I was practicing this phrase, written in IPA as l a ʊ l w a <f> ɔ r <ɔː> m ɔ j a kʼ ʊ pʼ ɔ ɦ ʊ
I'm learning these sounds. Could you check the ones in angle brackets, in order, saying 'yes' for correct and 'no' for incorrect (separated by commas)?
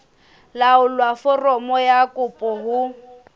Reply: yes, no